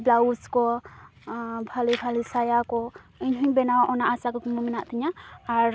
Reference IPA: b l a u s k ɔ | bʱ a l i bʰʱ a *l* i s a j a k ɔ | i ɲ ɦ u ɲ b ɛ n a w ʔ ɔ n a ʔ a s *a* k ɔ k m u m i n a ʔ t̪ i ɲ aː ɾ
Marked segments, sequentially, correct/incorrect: correct, correct

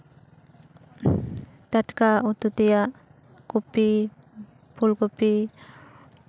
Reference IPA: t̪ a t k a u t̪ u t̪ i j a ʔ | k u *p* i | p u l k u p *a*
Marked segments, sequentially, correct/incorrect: correct, incorrect

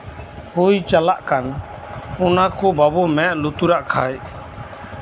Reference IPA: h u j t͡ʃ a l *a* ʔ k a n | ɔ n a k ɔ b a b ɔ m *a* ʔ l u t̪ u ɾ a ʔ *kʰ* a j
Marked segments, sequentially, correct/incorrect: correct, incorrect, correct

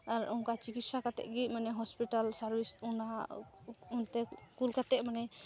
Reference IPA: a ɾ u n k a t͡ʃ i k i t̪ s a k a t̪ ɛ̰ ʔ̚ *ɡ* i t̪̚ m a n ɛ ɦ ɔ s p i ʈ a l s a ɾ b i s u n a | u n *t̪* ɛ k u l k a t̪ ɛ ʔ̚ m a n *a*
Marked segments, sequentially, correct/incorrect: correct, correct, incorrect

